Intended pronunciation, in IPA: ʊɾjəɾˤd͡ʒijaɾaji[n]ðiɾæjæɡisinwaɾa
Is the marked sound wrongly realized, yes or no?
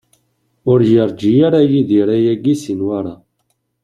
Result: yes